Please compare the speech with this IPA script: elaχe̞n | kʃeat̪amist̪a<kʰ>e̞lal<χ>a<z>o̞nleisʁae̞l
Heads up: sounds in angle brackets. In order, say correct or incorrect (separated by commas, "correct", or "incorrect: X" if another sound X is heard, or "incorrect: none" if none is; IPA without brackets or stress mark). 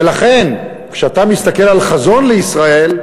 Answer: incorrect: k, correct, correct